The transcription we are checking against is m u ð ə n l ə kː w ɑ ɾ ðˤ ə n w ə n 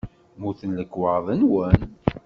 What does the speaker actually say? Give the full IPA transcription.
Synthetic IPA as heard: m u θ ə n l ə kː w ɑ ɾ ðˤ ə n w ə n